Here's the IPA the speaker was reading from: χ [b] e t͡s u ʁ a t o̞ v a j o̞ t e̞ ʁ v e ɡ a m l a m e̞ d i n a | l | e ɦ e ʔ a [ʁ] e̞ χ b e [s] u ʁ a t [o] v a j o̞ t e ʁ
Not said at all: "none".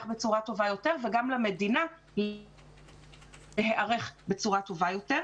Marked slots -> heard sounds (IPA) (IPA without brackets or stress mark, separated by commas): b, ʁ, t͡s, o